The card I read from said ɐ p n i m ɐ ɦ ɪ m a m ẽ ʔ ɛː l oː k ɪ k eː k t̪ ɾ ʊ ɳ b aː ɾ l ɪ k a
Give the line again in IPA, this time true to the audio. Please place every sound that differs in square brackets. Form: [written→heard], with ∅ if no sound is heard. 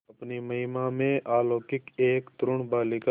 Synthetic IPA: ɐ p n i m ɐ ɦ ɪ m a m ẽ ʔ [ɛː→aː] l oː k ɪ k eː k t̪ ɾ ʊ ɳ b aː [ɾ→∅] l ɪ k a